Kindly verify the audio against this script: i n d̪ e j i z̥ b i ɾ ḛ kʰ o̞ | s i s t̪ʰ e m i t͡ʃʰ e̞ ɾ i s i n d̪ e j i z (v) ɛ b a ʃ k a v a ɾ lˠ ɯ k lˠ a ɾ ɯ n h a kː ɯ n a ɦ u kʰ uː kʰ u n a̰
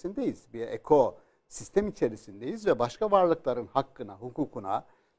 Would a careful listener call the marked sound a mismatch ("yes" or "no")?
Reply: no